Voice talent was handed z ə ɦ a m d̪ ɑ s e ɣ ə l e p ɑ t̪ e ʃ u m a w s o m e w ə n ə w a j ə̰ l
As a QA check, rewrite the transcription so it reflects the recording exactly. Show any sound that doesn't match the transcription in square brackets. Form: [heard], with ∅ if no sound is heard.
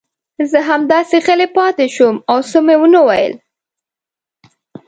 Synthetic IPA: z ə ɦ a m d̪ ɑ s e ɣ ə l e p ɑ t̪ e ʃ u m a w s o m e w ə n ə w a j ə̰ l